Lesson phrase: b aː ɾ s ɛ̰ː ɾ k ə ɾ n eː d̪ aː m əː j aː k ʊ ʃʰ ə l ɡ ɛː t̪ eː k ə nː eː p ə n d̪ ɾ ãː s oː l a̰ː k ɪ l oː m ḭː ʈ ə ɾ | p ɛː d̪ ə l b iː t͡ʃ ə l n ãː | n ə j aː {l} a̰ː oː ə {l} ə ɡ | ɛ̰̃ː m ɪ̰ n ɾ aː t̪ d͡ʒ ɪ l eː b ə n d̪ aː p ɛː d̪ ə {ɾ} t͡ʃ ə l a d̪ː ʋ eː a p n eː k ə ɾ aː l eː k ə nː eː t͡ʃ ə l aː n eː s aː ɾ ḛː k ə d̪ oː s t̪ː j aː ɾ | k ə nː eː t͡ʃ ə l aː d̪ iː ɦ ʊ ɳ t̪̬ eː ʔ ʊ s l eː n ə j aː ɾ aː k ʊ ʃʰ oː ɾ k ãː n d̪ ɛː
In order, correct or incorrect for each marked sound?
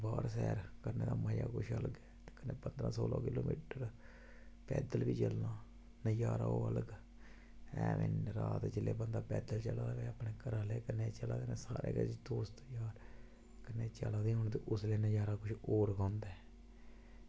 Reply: incorrect: ɾ, correct, incorrect: l

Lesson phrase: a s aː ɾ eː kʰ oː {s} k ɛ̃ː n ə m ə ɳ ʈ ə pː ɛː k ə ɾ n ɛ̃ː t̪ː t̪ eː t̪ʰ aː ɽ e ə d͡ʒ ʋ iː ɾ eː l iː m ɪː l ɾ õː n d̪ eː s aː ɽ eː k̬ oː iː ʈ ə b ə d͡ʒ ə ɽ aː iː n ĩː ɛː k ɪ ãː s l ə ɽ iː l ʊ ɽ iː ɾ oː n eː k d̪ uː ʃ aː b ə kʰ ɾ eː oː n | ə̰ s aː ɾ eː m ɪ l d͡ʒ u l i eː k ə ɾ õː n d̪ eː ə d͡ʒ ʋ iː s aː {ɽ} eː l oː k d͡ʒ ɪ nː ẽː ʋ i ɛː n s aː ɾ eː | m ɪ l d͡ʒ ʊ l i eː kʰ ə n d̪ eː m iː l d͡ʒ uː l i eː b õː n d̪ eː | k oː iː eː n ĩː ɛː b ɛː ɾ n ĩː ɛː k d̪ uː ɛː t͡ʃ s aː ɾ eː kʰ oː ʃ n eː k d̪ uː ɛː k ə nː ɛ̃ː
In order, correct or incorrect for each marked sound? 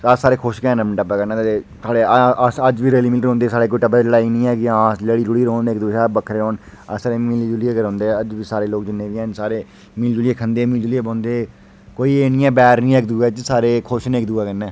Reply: incorrect: ʃ, incorrect: ɾ

